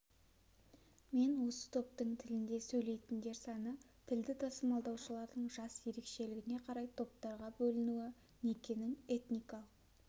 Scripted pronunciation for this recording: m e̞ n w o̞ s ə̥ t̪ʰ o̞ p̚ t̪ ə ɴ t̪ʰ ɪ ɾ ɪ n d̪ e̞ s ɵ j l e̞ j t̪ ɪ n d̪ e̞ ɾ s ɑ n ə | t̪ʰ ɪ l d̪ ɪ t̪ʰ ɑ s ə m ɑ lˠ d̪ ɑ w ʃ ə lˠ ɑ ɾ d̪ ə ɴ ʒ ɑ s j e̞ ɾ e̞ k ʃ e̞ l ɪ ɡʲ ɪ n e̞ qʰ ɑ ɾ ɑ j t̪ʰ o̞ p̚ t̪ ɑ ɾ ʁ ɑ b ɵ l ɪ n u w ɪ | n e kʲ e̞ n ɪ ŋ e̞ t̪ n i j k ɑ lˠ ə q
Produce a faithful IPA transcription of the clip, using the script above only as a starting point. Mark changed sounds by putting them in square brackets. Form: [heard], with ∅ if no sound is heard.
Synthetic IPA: m e̞ n w o̞ s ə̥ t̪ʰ o̞ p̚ t̪ ə ɴ t̪ʰ ɪ [l] ɪ n d̪ e̞ s ɵ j l e̞ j t̪ ɪ n d̪ e̞ ɾ s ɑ n ə | t̪ʰ ɪ l d̪ ɪ t̪ʰ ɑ s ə m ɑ lˠ d̪ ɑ w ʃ ə lˠ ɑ ɾ d̪ ə ɴ ʒ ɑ s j e̞ ɾ e̞ k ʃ e̞ l ɪ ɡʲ ɪ n e̞ qʰ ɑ ɾ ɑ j t̪ʰ o̞ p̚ t̪ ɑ ɾ ʁ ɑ b ɵ l ɪ n u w ɪ | n e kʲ e̞ n ɪ ŋ e̞ t̪ n i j k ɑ lˠ ə q